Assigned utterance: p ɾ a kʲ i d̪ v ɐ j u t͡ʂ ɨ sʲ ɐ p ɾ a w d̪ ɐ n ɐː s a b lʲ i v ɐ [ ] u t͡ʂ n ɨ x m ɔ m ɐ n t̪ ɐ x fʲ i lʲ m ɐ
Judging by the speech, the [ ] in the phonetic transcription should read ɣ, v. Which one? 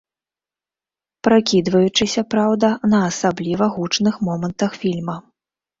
ɣ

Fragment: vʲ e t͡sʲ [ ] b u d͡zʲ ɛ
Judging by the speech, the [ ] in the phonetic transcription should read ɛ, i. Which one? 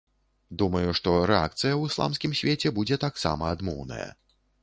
ɛ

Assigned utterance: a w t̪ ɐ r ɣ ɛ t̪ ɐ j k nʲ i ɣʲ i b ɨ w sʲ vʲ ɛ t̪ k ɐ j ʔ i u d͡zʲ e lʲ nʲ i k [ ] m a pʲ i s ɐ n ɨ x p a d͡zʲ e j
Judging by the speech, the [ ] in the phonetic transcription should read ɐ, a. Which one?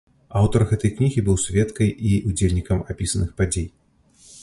ɐ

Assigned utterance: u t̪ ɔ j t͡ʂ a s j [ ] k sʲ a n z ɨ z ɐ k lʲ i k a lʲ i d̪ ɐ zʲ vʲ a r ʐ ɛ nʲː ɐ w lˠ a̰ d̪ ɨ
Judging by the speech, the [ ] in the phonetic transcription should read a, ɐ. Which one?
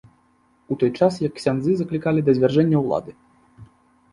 ɐ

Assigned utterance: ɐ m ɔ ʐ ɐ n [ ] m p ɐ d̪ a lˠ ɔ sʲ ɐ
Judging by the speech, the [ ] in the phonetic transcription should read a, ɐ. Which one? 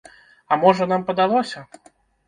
a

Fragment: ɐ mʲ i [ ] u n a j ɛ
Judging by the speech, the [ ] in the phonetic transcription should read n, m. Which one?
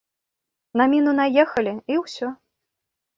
n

